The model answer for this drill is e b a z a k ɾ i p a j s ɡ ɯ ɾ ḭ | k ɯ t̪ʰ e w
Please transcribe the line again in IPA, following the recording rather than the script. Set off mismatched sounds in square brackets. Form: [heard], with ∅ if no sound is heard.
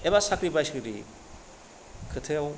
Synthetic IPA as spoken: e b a [s] a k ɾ i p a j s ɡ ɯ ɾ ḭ | [kʰ] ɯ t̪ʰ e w